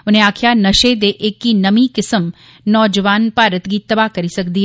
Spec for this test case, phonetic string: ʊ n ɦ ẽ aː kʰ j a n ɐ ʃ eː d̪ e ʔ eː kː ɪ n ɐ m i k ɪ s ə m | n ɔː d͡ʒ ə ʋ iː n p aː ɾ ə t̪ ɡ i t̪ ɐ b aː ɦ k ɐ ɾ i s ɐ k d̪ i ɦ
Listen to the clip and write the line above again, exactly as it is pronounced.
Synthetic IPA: ʊ n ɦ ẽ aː kʰ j a n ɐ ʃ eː d̪ e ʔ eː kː i n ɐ m i k ɪ s ə m | n ɔː d͡ʒ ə ʋ aː n p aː ɾ ə t̪ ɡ i t̪ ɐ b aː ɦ k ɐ ɾ i s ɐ k d̪ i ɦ